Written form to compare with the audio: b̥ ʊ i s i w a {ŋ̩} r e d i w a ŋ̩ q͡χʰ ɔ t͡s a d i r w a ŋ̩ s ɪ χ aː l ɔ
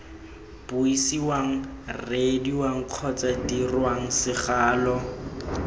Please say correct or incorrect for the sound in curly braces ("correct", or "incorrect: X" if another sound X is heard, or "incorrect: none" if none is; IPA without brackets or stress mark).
correct